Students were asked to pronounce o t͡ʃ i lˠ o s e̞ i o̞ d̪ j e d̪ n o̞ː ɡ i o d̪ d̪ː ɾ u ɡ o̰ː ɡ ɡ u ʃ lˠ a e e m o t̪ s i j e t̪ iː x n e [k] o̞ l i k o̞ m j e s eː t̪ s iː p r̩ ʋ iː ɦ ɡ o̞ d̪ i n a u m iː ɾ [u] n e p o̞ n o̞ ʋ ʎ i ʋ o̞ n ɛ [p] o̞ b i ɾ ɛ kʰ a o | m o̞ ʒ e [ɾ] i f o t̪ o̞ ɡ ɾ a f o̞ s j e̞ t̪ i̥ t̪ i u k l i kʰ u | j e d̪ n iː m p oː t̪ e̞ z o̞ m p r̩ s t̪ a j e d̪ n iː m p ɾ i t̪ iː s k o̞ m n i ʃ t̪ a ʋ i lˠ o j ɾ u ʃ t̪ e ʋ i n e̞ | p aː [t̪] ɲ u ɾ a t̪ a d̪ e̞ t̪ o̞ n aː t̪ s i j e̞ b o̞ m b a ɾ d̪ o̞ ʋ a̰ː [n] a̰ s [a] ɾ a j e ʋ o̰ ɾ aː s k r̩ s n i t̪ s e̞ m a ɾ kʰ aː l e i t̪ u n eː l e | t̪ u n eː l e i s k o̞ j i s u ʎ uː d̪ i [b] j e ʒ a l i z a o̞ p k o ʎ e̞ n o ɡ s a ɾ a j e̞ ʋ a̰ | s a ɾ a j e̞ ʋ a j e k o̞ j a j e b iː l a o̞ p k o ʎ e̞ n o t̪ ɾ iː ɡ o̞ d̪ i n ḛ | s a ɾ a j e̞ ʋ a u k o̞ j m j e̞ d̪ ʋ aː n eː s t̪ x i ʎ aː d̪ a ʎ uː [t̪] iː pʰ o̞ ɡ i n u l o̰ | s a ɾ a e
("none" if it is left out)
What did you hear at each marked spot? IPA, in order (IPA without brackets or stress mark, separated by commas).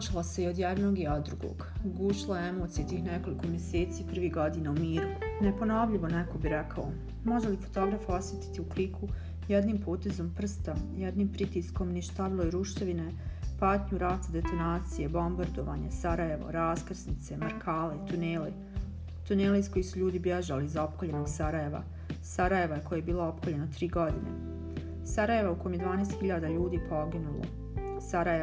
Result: k, u, k, l, t̪, ɲ, a, b, d̪